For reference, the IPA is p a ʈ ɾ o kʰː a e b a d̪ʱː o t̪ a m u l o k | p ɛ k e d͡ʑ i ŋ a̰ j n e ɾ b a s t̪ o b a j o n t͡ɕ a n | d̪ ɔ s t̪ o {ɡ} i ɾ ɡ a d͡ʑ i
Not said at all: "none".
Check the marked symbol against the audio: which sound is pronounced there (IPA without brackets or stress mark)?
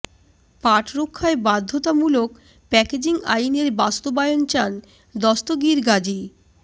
ɡ